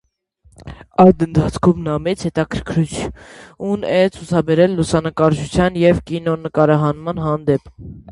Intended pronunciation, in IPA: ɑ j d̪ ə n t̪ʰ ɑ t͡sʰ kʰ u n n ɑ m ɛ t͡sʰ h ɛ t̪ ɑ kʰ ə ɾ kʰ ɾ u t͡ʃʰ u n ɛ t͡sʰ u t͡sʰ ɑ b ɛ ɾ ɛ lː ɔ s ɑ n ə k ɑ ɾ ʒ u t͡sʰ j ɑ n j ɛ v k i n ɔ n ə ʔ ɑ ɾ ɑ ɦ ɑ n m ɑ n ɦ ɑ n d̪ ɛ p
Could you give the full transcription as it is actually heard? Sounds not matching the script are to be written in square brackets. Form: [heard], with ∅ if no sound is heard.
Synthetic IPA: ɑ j d̪ ə n t̪ʰ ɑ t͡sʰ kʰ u [m] n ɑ m ɛ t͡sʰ h ɛ t̪ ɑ kʰ ə ɾ kʰ ɾ u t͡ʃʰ u n ɛ t͡sʰ u t͡sʰ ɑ b ɛ ɾ ɛ lː [u] s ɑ n ə k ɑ ɾ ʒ u t͡sʰ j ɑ n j ɛ v k i n ɔ n ə [k] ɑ ɾ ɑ ɦ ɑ n m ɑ n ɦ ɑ n d̪ ɛ p

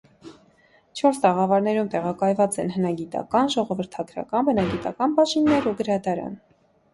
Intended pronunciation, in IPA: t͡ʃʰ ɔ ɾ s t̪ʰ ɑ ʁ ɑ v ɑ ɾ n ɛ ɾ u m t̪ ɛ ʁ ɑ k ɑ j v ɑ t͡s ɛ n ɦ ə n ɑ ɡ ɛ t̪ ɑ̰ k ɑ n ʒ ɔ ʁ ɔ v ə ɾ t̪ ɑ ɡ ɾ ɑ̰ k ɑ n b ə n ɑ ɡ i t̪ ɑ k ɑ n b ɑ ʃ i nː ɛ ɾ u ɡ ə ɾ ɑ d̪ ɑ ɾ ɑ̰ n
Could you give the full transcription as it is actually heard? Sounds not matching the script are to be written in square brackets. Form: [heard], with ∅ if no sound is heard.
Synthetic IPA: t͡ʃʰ ɔ ɾ s [t̪] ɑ ʁ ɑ v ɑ ɾ n ɛ ɾ u m t̪ ɛ ʁ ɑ k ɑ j v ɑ t͡s ɛ n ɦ ə n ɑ ɡ [i] t̪ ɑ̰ k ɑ n ʒ ɔ ʁ ɔ v ə ɾ [t̪ʰ] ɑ ɡ ɾ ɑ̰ k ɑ n b ə n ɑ ɡ i t̪ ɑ k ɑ n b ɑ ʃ i nː ɛ ɾ u ɡ ə ɾ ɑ d̪ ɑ ɾ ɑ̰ n

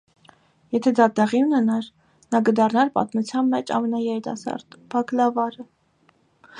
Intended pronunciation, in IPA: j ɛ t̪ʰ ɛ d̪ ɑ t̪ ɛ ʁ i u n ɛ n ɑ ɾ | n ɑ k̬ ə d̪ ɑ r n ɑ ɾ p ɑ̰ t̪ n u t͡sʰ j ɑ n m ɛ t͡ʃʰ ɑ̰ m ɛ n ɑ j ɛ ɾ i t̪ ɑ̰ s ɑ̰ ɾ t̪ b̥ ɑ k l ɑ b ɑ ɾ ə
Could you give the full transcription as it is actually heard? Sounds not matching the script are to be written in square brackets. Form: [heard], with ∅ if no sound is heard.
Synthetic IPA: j ɛ t̪ʰ ɛ d̪ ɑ t̪ ɛ ʁ i u n ɛ n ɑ ɾ | n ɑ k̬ ə d̪ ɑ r n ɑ ɾ p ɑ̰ t̪ [m] u t͡sʰ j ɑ n m ɛ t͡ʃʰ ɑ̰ m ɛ n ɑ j ɛ ɾ i t̪ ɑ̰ s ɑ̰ ɾ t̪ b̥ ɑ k l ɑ [v] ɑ ɾ ə

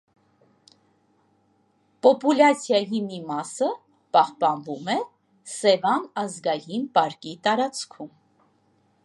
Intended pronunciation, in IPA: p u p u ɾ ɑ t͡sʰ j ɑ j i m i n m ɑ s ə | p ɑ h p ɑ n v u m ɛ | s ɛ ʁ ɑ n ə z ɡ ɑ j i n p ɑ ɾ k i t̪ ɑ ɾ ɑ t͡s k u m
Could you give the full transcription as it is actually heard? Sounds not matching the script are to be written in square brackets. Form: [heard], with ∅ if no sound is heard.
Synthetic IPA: p [ɔ] p u [l] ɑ t͡sʰ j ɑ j i m i [∅] m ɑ s ə | p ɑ h p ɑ n v u m ɛ | s ɛ [v] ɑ n [ɑ] z ɡ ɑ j i n p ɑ ɾ k i t̪ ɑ ɾ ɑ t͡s [kʰ] u m

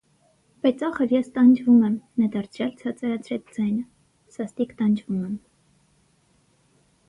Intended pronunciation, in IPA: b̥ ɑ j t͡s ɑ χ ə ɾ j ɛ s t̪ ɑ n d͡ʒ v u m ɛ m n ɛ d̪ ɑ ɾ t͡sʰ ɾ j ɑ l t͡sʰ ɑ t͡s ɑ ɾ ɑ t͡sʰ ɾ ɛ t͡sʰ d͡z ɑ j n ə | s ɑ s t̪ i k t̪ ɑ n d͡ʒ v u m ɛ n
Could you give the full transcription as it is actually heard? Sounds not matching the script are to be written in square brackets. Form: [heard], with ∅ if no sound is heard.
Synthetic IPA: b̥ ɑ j t͡s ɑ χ ə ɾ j ɛ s t̪ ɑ n d͡ʒ v u m ɛ m n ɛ d̪ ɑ ɾ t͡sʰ ɾ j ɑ l t͡sʰ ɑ t͡s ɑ ɾ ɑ t͡sʰ ɾ ɛ t͡sʰ d͡z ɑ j n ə | s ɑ s t̪ i k t̪ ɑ n d͡ʒ v u m ɛ [m]

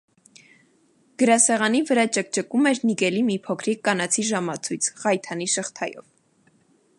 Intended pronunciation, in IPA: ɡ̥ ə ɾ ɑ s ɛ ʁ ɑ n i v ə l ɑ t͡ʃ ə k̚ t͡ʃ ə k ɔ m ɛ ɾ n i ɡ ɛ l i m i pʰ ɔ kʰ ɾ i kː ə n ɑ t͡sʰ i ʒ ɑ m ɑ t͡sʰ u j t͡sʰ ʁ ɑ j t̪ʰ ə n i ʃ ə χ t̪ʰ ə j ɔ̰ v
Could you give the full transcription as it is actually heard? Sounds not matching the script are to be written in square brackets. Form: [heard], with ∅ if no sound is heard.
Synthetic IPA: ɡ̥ ə ɾ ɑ s ɛ ʁ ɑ n i v ə [ɾ] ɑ t͡ʃ ə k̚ t͡ʃ ə k [u] m ɛ ɾ n i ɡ ɛ l i m i pʰ ɔ kʰ ɾ i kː [ɑ] n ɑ t͡sʰ i ʒ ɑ m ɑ t͡sʰ u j t͡sʰ ʁ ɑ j t̪ʰ [ɑ] n i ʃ ə χ t̪ʰ [ɑ] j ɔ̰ v

